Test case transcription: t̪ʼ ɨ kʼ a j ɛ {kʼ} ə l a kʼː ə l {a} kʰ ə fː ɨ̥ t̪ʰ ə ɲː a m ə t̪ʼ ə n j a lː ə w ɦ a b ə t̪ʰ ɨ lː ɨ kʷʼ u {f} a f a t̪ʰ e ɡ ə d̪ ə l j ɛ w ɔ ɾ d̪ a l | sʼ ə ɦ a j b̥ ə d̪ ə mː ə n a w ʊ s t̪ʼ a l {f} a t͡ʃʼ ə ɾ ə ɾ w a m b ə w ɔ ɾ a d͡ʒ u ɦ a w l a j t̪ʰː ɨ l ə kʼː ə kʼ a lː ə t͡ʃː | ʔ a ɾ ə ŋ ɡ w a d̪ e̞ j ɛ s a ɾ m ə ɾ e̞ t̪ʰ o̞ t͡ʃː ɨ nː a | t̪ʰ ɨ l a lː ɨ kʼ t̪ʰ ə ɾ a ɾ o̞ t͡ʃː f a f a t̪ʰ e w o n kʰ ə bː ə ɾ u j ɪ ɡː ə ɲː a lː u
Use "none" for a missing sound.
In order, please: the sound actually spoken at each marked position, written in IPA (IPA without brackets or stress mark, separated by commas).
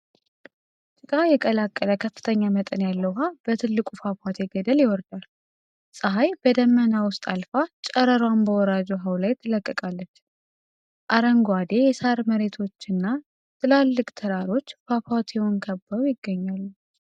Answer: kʼ, ə, f, f